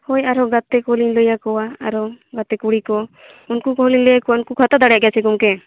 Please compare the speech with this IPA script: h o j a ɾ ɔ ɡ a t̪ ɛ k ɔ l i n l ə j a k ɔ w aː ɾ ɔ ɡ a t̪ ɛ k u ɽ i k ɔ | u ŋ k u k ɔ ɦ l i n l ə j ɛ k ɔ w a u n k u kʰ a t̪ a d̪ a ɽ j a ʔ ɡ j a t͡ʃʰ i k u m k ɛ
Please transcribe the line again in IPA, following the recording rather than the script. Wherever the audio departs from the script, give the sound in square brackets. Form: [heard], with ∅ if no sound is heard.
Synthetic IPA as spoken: h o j a ɾ ɔ ɡ a t̪ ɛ k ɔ l i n l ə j a k ɔ w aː ɾ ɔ ɡ a t̪ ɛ k u ɽ i k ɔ | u [n] k u k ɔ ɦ l i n l ə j [a] k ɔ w a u n k u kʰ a t̪ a d̪ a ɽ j a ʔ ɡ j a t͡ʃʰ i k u m k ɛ